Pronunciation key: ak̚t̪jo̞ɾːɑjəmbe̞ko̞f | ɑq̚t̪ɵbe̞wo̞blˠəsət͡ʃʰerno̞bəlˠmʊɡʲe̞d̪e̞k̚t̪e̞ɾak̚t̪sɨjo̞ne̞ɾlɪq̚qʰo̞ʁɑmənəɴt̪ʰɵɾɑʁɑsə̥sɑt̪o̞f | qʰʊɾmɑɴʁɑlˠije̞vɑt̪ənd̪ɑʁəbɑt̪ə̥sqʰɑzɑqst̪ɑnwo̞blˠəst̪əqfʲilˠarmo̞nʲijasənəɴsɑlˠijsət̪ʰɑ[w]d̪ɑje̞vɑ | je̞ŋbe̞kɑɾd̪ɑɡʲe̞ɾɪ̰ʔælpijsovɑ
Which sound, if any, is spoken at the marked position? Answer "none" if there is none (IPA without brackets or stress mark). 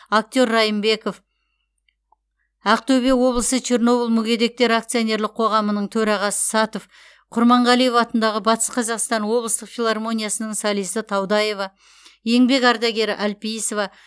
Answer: w